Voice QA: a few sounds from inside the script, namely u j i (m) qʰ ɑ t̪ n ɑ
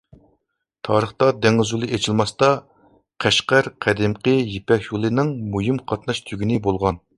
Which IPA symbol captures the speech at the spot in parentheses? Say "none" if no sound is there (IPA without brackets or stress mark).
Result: m